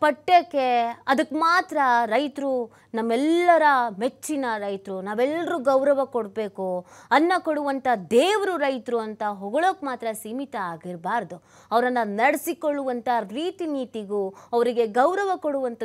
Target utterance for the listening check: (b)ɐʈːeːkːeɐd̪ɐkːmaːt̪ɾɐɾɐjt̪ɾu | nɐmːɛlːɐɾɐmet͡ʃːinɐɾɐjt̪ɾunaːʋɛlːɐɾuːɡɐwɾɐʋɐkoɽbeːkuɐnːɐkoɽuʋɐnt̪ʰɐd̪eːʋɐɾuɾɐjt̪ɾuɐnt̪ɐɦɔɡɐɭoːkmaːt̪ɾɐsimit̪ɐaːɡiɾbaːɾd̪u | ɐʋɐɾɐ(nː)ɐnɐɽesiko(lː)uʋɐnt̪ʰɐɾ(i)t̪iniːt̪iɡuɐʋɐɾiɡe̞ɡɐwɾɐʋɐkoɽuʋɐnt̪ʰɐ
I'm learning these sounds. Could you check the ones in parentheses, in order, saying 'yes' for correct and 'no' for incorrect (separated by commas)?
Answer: no, yes, no, no